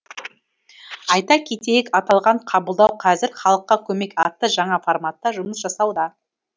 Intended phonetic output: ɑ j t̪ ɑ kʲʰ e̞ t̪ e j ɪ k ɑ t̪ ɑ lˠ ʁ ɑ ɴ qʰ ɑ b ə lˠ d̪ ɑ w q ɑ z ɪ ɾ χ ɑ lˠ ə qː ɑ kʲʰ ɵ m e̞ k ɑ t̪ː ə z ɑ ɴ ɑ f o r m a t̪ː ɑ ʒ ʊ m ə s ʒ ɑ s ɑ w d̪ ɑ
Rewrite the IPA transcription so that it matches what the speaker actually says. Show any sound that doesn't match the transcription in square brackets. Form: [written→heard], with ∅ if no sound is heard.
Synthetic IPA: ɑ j t̪ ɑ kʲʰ e̞ t̪ e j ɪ k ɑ t̪ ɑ lˠ ʁ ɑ ɴ qʰ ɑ b ə lˠ d̪ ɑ w [q→qʰ] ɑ z ɪ ɾ χ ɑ lˠ ə qː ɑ kʲʰ ɵ m e̞ k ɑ t̪ː ə [z→ʒ] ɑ ɴ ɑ f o r m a t̪ː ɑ ʒ ʊ m ə s ʒ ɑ s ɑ w d̪ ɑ